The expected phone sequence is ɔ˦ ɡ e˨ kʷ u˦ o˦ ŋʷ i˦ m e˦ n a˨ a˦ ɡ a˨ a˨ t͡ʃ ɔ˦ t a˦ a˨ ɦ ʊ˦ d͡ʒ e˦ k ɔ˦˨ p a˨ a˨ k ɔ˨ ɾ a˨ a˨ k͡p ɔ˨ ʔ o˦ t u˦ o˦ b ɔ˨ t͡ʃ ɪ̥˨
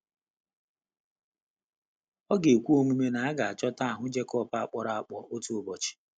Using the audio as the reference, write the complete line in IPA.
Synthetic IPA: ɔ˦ ɡ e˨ kʷ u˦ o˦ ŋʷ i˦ m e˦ n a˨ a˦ ɡ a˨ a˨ t͡ʃ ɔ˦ t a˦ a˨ ɦ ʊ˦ d͡ʒ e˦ k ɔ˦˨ p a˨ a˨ k͡p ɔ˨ ɾ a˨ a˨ k͡p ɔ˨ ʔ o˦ t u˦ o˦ b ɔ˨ t͡ʃ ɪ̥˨